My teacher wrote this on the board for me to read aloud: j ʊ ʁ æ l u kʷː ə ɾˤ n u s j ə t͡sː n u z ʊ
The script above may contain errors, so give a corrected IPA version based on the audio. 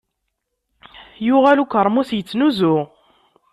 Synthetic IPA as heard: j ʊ ʁ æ l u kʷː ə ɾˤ m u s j ə t͡sː n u z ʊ